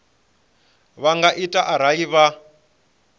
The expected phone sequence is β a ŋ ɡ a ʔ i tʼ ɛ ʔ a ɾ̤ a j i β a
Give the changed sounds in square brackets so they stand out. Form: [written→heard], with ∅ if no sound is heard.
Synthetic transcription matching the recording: β a ŋ ɡ a ʔ i tʼ [ɛ→a] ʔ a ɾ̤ a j i β a